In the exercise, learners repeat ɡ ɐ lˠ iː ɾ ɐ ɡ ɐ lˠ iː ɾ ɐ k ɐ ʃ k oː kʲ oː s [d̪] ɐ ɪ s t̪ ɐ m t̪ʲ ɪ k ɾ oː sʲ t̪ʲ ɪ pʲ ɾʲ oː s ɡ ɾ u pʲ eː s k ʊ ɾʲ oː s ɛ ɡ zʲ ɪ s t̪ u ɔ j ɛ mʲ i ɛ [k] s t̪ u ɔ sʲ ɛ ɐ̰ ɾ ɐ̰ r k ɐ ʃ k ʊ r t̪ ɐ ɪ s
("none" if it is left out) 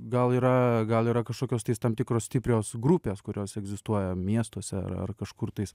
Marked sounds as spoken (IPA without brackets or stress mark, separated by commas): t̪, none